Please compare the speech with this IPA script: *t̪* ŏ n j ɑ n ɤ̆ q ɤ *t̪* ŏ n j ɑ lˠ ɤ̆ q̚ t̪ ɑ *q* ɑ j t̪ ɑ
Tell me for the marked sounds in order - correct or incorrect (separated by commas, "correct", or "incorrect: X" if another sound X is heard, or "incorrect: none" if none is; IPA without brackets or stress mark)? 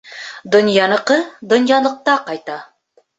incorrect: d̪, incorrect: d̪, correct